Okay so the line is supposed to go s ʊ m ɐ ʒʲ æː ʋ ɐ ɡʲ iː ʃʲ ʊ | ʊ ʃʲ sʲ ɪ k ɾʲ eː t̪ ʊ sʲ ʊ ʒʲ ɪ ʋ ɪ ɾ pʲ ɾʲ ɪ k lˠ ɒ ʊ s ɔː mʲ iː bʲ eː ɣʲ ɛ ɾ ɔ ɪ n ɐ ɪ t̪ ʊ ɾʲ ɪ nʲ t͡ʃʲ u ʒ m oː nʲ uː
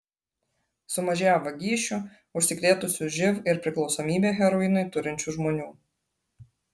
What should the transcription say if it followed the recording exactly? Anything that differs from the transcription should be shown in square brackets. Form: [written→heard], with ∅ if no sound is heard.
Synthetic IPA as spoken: s ʊ m ɐ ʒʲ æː ʋ ɐ ɡʲ iː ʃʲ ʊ | ʊ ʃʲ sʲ ɪ k ɾʲ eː t̪ ʊ sʲ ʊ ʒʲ ɪ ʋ ɪ ɾ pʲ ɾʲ ɪ k lˠ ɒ ʊ s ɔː mʲ iː bʲ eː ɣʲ ɛ ɾ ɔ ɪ n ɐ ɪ t̪ ʊ ɾʲ ɪ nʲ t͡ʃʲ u ʒ m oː nʲ uː